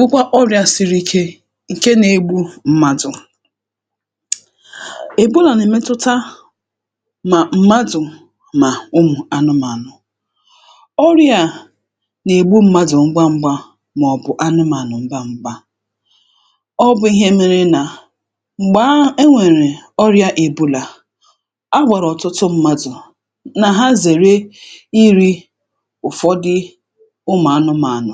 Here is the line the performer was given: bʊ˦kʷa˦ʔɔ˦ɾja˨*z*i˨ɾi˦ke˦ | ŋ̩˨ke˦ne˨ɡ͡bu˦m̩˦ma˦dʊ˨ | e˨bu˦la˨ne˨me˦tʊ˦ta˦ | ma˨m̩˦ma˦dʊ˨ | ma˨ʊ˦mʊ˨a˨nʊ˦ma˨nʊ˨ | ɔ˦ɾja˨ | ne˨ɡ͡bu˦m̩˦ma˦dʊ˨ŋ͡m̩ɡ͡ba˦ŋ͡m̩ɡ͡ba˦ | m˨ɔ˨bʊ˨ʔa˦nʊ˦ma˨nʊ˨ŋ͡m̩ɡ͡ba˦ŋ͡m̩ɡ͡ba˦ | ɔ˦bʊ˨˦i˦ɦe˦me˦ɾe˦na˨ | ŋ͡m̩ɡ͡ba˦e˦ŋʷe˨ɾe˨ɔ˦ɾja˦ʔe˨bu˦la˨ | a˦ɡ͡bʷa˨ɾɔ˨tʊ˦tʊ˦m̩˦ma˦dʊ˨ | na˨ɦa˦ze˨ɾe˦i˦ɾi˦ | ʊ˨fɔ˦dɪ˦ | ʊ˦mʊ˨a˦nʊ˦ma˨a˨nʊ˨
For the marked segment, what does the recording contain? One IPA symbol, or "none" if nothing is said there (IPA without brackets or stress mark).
s